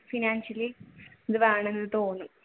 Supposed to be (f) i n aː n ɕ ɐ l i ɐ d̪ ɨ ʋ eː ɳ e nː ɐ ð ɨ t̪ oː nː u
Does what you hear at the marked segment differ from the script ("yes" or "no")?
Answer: no